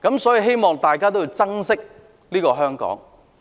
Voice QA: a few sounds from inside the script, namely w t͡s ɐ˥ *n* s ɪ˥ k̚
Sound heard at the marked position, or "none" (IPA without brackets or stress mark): ŋ